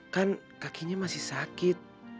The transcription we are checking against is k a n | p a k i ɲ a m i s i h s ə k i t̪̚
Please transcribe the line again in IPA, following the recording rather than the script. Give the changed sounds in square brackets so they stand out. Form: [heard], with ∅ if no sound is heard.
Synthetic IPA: k a n | [k] a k i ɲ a m [a] s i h s [a] k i t̪̚

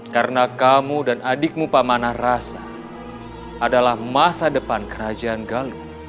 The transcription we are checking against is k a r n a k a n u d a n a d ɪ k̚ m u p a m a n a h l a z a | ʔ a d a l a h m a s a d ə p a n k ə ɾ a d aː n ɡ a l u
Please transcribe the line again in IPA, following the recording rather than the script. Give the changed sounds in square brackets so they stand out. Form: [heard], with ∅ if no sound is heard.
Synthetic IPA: k a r n a k a [m] u d a n a d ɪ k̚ m u p a m a n a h [r] a [s] a | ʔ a d a l a h m a s a d ə p a n k ə ɾ a [d͡ʒ] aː n ɡ a l u

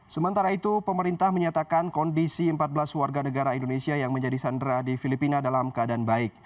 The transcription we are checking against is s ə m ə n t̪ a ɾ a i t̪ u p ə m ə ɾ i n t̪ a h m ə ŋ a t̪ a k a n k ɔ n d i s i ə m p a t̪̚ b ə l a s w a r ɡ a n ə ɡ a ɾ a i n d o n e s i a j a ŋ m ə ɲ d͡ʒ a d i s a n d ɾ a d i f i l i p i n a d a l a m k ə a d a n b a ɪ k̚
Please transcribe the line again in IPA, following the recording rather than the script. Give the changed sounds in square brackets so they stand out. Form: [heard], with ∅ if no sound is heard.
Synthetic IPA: s ə m ə n t̪ a ɾ a i t̪ u p ə m ə ɾ i n t̪ a h m ə [ɲ] a t̪ a k a n k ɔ n d i s i ə m p a t̪̚ b ə l a s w a r ɡ a n ə ɡ a ɾ a i n d o n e s i a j a ŋ m ə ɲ d͡ʒ a d i s a n d ɾ a d i f i l i p i n a d a l a m k ə a d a n b a ɪ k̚

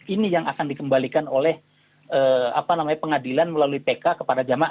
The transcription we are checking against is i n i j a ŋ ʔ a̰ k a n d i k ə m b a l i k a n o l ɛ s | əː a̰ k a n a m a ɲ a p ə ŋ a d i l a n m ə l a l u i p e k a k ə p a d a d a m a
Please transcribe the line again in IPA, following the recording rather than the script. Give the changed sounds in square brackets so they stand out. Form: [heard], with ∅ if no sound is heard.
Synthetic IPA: i n i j a ŋ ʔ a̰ k a n d i k ə m b a l i k a n o l ɛ [h] | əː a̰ [p] a n a m a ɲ a p ə ŋ a d i l a n m ə l a l u i p e k a k ə p a d a [d͡ʒ] a m a

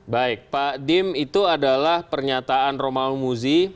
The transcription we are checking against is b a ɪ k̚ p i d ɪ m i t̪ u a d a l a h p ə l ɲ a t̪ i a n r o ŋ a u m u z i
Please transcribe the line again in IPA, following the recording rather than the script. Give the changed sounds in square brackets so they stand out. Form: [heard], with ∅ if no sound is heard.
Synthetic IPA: b a ɪ k̚ p [a] d ɪ m i t̪ u a d a l a h p ə [r] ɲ a t̪ [a] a n r o [m] a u m u z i

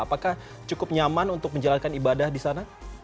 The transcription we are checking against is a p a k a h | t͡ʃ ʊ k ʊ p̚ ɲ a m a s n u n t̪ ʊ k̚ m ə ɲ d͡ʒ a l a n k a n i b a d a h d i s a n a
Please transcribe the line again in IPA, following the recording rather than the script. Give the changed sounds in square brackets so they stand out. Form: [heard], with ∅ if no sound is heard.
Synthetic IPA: a p a k a h | t͡ʃ [u] k ʊ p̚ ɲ a m a [∅] n u n t̪ ʊ k̚ m ə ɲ d͡ʒ a l a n k a n i b a d a h d i s a n a

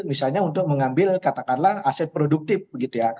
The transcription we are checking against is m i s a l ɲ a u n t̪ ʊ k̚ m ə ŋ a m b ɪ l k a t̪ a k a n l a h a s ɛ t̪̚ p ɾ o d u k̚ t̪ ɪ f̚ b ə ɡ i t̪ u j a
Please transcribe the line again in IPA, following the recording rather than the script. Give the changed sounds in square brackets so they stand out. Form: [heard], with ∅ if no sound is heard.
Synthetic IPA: m i s a l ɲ a u n t̪ ʊ k̚ m ə ŋ a m b ɪ l k a t̪ a k a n l a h a s ɛ t̪̚ p ɾ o d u k̚ t̪ ɪ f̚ b ə ɡ i t̪ u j a

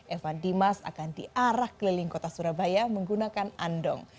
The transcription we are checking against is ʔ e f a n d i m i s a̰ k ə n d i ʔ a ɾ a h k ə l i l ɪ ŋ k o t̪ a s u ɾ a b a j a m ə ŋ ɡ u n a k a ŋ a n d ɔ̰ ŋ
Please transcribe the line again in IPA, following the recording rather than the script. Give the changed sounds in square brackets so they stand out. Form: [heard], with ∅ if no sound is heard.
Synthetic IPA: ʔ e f a n d i m [a] s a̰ k [a] n d i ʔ a ɾ a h k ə l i l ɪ ŋ k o t̪ a s u ɾ a b a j a m ə ŋ ɡ u n a k a [n] a n d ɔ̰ ŋ

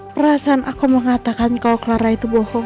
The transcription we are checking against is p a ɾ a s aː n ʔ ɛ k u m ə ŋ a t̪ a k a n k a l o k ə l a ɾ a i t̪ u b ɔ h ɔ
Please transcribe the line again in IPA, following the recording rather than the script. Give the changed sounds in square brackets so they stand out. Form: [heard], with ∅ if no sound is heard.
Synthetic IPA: p [ə] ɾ a s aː n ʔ [a] k u m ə ŋ a t̪ a k a n k a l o k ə l a ɾ a i t̪ u b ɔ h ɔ

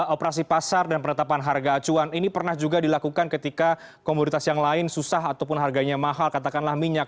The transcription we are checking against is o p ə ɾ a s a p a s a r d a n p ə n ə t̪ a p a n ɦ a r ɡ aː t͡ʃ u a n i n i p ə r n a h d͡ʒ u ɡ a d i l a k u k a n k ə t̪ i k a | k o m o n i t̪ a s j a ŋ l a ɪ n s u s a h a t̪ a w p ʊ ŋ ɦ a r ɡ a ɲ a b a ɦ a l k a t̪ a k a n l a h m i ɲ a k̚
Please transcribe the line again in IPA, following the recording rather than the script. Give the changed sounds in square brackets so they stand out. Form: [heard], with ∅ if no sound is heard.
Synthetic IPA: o p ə ɾ a s [i] p a s a r d a n p ə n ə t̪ a p a n ɦ a r ɡ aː t͡ʃ u a n i n i p ə r n a h d͡ʒ u ɡ a d i l a k u k a n k ə t̪ i k a | k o m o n i t̪ a s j a ŋ l a ɪ n s u s a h a t̪ a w p ʊ [n] ɦ a r ɡ a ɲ a [m] a ɦ a l k a t̪ a k a n l a h m i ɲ a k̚

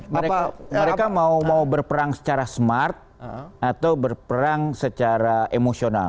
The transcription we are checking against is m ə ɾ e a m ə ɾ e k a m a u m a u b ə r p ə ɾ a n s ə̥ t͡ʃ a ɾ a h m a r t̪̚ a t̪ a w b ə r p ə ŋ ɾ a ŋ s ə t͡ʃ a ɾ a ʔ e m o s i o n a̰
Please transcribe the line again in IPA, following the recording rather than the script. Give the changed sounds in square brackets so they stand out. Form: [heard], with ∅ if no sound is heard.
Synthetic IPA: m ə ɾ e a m ə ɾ e k a m a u m a u b ə r p ə ɾ a [ŋ] s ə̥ t͡ʃ a ɾ a [s] m a r t̪̚ a t̪ a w b ə r p ə [∅] ɾ a ŋ s ə t͡ʃ a ɾ a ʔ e m o s i o n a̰

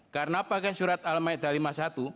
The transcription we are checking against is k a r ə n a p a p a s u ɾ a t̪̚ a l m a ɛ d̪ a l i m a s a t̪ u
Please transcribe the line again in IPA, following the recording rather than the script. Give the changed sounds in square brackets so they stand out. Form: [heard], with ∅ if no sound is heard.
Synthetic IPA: k a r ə n a p a [k] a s u ɾ a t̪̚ a l m a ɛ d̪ a l i m a s a t̪ u

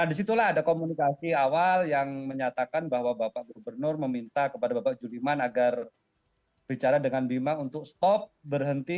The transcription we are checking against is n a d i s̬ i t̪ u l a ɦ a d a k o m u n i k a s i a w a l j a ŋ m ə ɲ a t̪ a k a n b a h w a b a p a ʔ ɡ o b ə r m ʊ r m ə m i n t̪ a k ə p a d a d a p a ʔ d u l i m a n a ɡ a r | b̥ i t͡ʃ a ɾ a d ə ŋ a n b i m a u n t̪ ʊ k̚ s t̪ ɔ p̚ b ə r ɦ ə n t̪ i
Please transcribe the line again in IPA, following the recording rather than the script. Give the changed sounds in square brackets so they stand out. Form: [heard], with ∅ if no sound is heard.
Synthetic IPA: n a d i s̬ i t̪ u l a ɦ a d a k o m u n i k a s i a w a l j a ŋ m ə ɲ a t̪ a k a n b a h w a b a p a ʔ ɡ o b ə r [n] ʊ r m ə m i n t̪ a k ə p a d a [b] a p a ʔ [d͡ʒ] u l i m a n a ɡ a r | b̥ i t͡ʃ a ɾ a d ə ŋ a n b i m a u n t̪ ʊ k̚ s t̪ ɔ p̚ b ə r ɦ ə n t̪ i

